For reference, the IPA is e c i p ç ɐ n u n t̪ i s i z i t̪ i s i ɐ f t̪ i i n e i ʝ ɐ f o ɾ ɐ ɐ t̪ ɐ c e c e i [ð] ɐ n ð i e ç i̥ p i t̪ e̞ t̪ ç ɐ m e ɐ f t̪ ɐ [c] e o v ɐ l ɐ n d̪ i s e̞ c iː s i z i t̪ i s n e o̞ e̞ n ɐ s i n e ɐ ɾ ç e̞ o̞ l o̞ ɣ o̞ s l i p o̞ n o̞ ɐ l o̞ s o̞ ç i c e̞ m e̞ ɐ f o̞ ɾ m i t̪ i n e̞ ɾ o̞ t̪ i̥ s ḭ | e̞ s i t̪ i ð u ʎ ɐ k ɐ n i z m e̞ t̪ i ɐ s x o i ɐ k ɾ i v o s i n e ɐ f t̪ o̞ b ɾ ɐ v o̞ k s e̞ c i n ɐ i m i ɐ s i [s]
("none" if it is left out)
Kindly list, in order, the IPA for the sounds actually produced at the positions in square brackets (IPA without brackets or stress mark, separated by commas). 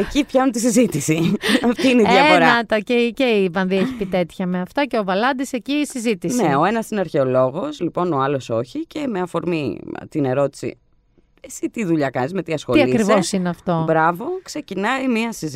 v, c, z